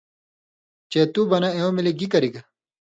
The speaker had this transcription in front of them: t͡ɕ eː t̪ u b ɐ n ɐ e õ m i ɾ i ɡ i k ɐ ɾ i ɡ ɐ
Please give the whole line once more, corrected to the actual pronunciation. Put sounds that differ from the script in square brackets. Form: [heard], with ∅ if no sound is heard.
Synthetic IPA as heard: t͡ɕ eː t̪ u b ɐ n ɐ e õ m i [l] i ɡ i k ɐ ɾ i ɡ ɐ